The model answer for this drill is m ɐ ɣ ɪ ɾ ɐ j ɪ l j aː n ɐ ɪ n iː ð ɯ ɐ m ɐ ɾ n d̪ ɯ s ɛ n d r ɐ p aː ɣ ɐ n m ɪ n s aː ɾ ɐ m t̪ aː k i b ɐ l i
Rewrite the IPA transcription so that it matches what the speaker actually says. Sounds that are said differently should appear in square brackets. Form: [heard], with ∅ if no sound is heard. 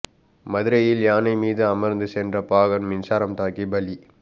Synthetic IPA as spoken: m ɐ [ð] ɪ ɾ ɐ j ɪ l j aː n ɐ ɪ [m] iː ð ɯ ɐ m ɐ ɾ n d̪ ɯ s ɛ n d r ɐ p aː ɣ ɐ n m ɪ n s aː ɾ ɐ m t̪ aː k i b ɐ l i